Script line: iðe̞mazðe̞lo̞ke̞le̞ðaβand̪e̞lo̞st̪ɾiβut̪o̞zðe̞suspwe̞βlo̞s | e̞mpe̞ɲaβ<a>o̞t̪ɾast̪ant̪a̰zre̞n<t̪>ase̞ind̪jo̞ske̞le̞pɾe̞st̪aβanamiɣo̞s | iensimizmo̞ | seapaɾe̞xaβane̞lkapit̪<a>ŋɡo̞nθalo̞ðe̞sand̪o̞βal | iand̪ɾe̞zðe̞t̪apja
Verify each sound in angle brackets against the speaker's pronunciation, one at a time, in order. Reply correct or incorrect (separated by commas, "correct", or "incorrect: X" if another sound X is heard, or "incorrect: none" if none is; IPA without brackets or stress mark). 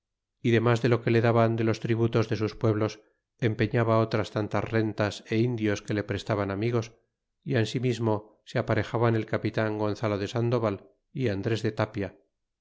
correct, correct, correct